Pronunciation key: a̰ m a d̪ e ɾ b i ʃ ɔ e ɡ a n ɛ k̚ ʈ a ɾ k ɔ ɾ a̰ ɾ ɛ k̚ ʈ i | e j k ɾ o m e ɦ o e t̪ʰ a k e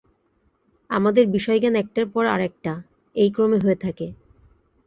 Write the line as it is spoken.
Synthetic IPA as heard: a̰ m a d̪ e ɾ b i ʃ ɔ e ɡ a n ɛ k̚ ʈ a ɾ p ɔ ɾ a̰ ɾ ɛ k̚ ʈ a | e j k ɾ o m e ɦ o e t̪ʰ a k e